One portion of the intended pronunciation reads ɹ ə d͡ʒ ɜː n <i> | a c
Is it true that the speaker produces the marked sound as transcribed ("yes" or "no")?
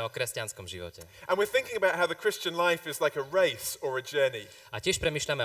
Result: yes